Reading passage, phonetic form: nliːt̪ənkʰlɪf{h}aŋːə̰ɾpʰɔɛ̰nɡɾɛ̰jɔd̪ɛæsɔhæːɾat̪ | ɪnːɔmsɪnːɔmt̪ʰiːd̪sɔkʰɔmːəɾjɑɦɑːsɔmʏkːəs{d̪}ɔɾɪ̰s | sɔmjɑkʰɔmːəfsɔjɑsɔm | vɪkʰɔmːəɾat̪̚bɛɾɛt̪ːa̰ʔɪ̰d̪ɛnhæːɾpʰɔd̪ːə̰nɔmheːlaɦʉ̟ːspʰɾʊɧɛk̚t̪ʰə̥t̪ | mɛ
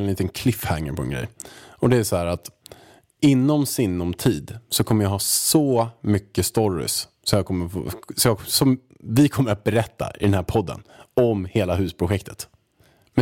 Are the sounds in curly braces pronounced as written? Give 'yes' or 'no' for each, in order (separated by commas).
yes, no